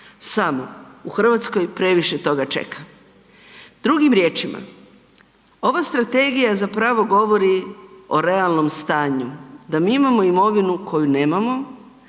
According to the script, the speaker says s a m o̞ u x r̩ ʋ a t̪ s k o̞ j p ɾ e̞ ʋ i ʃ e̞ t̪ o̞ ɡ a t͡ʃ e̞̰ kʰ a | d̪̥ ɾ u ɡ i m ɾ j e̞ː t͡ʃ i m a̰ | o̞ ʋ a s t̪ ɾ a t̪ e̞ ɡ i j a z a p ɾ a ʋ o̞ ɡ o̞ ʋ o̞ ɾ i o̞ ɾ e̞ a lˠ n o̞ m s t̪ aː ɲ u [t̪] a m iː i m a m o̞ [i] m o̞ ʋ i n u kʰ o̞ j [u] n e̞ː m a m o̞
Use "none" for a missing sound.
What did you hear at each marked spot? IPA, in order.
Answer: d̪, i, u

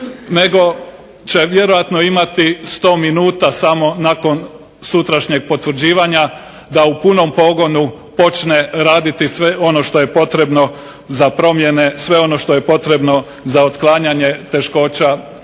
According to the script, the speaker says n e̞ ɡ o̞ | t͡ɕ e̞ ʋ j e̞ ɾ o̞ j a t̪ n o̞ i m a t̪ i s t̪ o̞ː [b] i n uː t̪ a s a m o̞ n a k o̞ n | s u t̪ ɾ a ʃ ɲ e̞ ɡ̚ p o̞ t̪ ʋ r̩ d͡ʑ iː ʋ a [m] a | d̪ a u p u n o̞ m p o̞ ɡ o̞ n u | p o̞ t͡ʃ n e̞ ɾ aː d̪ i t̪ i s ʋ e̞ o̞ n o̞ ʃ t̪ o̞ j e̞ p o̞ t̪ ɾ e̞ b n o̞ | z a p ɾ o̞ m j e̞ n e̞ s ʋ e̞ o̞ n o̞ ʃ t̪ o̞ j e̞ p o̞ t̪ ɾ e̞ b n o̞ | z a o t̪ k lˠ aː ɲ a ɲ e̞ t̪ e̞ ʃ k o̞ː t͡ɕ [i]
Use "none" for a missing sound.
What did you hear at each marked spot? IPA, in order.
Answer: m, ɲ, a

